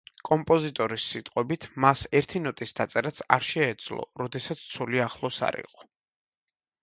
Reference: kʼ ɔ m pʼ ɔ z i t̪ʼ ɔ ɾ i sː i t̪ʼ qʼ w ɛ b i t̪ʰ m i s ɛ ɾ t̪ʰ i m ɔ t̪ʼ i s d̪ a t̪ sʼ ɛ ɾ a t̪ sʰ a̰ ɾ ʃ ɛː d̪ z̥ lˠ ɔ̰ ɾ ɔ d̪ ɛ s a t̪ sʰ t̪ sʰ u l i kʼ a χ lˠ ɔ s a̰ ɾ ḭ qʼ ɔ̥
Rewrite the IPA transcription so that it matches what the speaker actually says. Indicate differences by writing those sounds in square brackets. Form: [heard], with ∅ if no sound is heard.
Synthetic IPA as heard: kʼ ɔ m pʼ ɔ z i t̪ʼ ɔ ɾ i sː i t̪ʼ qʼ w ɛ b i t̪ʰ m [a] s ɛ ɾ t̪ʰ i [n] ɔ t̪ʼ i s d̪ a t̪ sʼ ɛ ɾ a t̪ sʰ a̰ ɾ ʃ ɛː d̪ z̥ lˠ ɔ̰ ɾ ɔ d̪ ɛ s a t̪ sʰ t̪ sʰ u l i [∅] a χ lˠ ɔ s a̰ ɾ ḭ qʼ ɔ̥